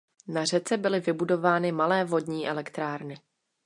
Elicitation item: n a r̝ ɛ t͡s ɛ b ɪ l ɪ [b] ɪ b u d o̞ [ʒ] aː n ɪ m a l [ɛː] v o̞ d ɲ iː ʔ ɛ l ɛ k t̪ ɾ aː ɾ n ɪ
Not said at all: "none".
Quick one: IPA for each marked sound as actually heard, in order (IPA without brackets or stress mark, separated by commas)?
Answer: v, v, ɛː